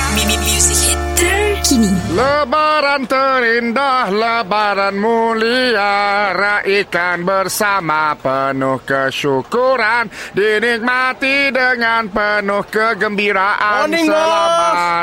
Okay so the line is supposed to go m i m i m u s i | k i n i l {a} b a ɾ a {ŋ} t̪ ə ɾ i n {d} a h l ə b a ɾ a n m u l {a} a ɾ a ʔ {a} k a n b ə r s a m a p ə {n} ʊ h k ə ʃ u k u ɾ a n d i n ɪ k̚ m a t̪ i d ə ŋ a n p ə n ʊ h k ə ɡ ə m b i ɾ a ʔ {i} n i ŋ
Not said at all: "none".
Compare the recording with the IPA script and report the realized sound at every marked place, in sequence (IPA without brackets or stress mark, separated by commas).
ə, n, d, i, i, n, a